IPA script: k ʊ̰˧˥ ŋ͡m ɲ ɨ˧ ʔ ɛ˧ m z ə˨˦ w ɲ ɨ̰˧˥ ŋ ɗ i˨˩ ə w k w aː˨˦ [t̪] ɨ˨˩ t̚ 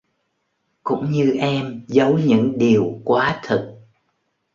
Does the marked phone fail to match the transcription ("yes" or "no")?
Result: yes